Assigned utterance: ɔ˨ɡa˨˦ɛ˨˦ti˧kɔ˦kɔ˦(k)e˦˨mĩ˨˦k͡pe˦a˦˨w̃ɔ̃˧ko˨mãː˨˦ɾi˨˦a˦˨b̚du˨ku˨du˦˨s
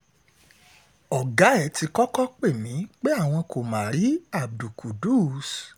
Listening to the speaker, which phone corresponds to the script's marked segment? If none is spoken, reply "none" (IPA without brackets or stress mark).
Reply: k͡p